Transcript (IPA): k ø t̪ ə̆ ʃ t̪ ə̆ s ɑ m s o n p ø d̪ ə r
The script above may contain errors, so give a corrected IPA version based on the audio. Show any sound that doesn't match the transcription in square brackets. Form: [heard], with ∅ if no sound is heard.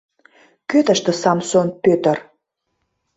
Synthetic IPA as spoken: k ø t̪ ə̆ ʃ t̪ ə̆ s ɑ m s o n p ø [t̪] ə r